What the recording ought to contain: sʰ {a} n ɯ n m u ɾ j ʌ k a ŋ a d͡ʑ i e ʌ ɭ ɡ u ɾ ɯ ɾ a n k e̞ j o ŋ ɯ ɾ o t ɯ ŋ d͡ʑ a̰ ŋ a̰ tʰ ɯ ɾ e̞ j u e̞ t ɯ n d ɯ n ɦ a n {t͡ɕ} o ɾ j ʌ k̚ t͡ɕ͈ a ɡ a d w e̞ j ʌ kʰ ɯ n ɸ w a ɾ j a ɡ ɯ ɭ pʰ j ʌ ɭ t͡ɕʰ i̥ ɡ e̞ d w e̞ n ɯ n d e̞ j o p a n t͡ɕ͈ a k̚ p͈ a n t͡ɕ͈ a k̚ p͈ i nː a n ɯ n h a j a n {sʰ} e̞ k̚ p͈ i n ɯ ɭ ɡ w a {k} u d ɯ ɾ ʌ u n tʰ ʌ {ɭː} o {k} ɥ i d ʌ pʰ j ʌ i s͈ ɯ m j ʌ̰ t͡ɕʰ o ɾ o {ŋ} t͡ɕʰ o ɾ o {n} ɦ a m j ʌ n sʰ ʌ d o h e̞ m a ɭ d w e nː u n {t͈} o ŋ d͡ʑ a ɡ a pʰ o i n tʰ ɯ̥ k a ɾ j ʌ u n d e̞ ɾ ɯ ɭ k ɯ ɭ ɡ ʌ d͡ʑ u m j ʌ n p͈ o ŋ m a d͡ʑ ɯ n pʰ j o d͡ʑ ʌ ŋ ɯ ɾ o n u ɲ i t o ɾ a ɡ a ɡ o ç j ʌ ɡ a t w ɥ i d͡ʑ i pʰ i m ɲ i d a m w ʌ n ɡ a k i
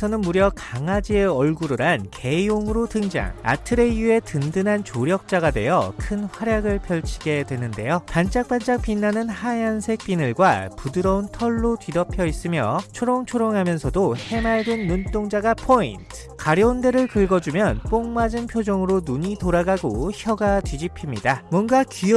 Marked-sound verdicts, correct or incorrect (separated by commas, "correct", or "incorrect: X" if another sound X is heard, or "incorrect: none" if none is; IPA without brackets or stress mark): incorrect: ʌ, correct, correct, incorrect: p, correct, incorrect: t, correct, incorrect: ŋ, correct